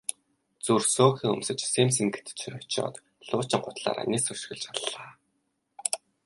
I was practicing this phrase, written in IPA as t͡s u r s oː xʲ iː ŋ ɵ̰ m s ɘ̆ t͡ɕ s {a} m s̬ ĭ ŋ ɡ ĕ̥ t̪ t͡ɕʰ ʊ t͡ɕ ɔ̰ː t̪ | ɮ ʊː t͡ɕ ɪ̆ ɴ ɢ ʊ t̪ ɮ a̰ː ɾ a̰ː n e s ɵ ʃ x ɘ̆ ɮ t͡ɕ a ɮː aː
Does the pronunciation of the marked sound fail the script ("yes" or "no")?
yes